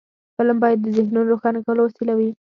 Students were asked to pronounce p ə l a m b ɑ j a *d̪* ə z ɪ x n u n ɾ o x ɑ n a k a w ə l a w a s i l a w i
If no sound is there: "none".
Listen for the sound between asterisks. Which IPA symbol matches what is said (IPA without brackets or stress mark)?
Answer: d̪ː